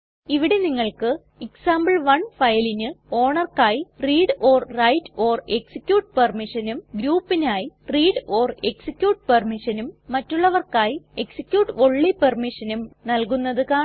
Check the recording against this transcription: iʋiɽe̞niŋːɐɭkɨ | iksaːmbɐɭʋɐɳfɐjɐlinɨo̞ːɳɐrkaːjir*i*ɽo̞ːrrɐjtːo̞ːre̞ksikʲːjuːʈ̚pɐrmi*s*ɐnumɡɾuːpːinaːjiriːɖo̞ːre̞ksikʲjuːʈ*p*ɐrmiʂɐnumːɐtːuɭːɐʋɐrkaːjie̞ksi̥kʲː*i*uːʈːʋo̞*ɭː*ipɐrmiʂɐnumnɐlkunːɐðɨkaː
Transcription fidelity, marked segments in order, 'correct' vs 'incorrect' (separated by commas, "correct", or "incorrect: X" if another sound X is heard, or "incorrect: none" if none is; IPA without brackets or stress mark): incorrect: iː, incorrect: ʂ, correct, incorrect: j, correct